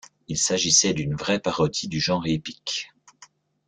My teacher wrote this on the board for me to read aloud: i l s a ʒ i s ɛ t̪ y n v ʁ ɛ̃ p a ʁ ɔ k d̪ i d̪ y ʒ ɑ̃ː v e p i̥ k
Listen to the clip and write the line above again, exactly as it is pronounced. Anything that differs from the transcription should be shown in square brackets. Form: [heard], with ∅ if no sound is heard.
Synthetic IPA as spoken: i l s a ʒ i s ɛ [d̪] y n v ʁ [ɛ] p a ʁ ɔ [∅] d̪ i d̪ y ʒ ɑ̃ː [ʁ] e p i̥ k